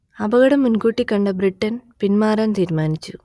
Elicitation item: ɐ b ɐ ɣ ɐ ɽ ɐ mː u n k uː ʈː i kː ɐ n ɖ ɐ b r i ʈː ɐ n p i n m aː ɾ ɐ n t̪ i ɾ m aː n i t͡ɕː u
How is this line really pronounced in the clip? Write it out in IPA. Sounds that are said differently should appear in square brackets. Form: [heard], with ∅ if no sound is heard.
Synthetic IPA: ɐ b ɐ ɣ ɐ ɽ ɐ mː u n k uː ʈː i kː ɐ [ɳ] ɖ ɐ b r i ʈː ɐ n p i n m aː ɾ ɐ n t̪ [iː] ɾ m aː n i t͡ɕː u